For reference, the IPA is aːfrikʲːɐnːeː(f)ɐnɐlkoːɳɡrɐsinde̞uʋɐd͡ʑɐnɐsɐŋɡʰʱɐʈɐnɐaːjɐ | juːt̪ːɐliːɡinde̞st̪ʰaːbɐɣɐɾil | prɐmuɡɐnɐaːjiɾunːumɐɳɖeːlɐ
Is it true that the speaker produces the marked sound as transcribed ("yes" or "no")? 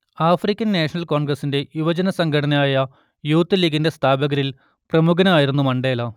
no